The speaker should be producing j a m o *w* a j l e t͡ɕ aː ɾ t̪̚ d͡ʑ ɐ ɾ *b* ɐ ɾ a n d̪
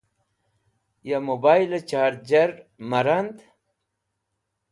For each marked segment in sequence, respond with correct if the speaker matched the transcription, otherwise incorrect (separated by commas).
incorrect, incorrect